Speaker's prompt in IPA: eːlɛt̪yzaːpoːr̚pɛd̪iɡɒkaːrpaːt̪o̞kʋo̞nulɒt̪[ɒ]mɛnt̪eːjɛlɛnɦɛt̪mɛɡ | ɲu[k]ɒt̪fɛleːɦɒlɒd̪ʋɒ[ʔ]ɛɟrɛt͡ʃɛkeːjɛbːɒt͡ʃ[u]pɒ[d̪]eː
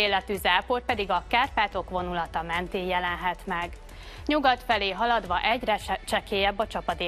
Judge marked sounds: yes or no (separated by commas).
yes, no, yes, no, yes